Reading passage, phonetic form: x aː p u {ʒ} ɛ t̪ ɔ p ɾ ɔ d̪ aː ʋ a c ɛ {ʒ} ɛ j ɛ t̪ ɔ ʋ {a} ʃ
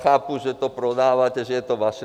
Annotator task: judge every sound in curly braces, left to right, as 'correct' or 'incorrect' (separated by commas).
correct, correct, correct